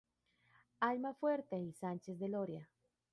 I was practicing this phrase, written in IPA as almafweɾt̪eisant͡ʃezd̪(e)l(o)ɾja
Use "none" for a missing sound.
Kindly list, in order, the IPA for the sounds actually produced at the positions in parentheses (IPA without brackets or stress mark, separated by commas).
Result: e, o